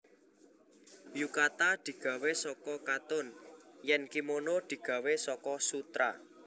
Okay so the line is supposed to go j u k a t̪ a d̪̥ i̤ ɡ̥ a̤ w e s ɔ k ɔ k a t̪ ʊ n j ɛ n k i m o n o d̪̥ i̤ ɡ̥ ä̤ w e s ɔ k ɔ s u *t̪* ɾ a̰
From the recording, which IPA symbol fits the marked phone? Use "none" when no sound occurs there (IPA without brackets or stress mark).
t̪